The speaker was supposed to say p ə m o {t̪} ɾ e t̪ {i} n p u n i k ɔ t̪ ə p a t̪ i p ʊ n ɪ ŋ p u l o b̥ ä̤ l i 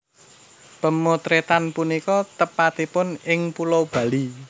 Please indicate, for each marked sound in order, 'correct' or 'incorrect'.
correct, incorrect: a

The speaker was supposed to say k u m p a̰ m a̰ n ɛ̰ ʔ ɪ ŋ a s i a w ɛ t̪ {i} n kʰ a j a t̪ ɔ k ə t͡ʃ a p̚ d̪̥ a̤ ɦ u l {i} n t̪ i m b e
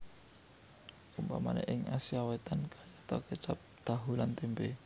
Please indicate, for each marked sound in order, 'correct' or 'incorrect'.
incorrect: a, incorrect: a

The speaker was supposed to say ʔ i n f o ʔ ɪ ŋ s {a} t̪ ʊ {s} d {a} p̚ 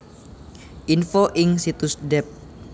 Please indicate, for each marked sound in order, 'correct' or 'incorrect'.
incorrect: i, correct, incorrect: ɛ

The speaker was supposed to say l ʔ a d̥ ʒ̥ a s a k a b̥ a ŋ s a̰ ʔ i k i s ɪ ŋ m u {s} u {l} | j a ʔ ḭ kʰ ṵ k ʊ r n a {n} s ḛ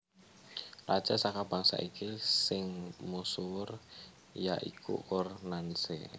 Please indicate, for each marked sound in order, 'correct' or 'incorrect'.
correct, incorrect: r, correct

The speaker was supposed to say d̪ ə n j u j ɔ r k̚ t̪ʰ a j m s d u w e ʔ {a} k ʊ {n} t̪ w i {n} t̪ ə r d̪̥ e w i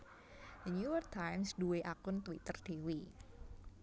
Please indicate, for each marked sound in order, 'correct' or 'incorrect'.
correct, correct, incorrect: none

